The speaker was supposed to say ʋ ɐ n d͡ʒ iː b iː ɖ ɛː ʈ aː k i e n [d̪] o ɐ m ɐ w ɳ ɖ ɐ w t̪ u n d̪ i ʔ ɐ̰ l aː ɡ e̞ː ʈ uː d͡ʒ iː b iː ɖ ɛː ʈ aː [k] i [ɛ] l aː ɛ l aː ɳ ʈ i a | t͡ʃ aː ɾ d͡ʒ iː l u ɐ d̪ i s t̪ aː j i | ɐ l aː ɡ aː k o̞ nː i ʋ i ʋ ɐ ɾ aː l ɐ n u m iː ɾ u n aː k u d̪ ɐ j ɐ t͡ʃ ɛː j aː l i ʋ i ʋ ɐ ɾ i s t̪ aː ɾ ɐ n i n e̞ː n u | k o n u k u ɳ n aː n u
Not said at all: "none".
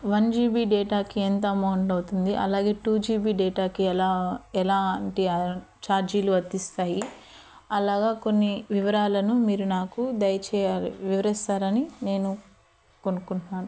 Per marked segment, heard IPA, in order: t̪, k, ɛ

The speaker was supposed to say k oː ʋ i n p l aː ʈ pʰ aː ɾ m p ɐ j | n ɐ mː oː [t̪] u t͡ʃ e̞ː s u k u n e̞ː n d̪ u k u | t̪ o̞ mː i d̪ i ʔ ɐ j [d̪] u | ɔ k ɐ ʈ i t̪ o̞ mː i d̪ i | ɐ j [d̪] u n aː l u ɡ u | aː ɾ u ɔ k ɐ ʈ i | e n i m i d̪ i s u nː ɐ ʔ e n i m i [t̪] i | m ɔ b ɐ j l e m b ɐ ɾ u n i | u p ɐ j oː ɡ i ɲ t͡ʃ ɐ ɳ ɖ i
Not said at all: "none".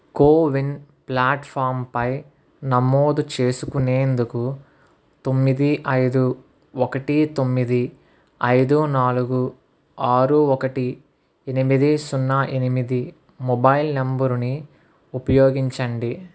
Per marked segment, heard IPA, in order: d̪, d̪, d̪, d̪

